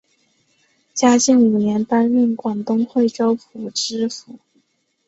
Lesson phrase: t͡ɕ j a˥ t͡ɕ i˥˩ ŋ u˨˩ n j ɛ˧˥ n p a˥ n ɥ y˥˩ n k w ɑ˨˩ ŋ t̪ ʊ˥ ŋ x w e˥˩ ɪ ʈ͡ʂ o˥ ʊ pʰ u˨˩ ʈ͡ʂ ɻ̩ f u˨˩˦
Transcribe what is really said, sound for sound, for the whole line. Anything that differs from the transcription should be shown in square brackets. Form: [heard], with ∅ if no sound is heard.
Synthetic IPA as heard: t͡ɕ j a˥ t͡ɕ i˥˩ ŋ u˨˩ n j ɛ˧˥ n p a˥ n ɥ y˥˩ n k w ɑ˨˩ ŋ t̪ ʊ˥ ŋ x w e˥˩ ɪ ʈ͡ʂ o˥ ʊ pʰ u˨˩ ʈ͡ʂ ɻ̩ f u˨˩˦